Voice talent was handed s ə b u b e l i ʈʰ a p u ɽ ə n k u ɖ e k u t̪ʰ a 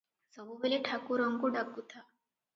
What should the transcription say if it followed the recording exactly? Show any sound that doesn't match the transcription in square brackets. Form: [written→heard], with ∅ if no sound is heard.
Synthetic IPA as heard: s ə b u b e l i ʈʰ a [p→k] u [ɽ→ɾ] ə [n→ŋ] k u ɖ [e→a] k u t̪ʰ a